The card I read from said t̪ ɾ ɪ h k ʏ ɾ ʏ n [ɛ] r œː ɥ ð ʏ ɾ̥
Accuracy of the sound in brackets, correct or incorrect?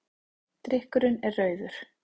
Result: correct